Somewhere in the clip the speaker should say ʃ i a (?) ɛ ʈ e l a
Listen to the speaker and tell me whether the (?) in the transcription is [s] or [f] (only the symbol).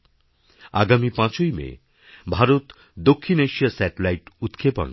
s